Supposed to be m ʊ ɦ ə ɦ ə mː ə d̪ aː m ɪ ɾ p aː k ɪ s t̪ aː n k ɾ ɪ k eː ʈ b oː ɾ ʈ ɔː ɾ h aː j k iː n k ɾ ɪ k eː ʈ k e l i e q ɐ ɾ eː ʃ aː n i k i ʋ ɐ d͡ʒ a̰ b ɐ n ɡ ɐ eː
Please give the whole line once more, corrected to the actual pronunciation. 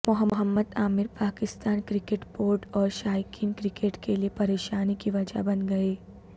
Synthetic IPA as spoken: m ʊ ɦ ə ɦ ə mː ə d̪ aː m ɪ ɾ p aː k ɪ s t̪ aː n k ɾ ɪ k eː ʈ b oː ɾ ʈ ɔː ɾ ʃ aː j k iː n k ɾ ɪ k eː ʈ k e l i e p ɐ ɾ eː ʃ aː n i k i ʋ ɐ d͡ʒ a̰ b ɐ n ɡ ɐ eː